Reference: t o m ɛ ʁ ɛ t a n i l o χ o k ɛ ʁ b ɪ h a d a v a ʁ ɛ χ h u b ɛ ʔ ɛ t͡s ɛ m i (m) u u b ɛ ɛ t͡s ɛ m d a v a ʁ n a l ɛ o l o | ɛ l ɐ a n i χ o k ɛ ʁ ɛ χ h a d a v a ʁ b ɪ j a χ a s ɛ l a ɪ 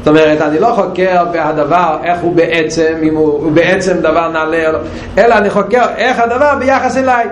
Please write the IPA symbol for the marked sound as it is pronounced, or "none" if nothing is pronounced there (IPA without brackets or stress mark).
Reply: m